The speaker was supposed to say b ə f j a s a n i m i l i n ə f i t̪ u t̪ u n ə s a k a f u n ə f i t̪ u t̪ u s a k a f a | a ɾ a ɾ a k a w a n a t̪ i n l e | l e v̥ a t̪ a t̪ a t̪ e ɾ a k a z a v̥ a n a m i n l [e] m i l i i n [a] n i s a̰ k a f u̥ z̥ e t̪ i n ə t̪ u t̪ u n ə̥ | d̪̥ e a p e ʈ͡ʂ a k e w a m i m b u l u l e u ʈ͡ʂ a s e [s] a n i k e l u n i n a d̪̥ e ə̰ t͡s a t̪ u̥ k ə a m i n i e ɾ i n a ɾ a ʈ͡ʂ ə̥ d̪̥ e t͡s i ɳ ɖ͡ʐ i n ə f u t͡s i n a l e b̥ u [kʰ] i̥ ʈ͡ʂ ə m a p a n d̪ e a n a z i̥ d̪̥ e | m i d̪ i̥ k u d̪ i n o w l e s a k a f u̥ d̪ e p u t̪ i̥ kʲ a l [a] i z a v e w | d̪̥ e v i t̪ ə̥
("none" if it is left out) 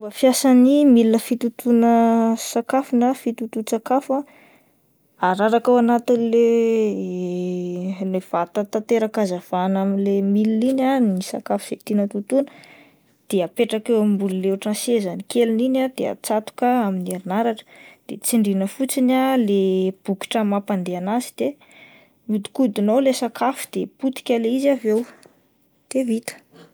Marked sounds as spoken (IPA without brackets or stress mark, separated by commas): e, a, z, k, e